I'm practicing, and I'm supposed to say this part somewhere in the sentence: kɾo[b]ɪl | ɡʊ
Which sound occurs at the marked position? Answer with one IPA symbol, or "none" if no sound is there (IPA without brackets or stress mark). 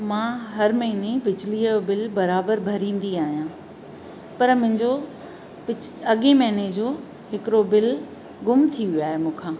b